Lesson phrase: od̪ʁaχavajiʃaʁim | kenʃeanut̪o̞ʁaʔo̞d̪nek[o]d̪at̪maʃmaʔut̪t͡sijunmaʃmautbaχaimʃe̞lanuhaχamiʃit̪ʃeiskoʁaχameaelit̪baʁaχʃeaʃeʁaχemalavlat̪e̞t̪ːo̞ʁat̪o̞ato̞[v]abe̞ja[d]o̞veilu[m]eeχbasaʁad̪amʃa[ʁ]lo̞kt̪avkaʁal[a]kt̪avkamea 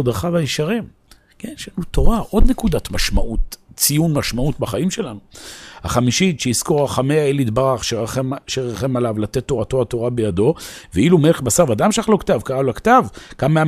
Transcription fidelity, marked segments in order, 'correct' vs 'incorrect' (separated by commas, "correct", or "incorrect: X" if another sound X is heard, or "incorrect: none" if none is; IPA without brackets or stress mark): incorrect: u, incorrect: ʁ, correct, correct, incorrect: χ, correct